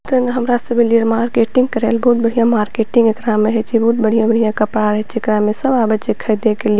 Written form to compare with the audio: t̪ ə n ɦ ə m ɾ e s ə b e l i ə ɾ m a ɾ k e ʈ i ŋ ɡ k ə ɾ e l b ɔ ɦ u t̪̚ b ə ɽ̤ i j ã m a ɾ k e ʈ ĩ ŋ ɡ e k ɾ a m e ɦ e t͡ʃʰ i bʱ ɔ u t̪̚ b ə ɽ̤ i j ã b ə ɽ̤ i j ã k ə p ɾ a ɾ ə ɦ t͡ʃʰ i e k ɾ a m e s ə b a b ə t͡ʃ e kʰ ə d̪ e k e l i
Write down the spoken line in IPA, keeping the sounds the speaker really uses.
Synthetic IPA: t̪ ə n ɦ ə m ɾ a s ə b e l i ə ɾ m a ɾ k e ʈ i ŋ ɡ k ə ɾ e l b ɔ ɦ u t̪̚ b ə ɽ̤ i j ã m a ɾ k e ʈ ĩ ŋ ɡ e k ɾ a m e ɦ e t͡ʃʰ i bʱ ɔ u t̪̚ b ə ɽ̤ i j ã b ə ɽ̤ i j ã k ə p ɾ a ɾ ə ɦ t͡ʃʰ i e k ɾ a m e s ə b a b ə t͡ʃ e kʰ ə d̪ e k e l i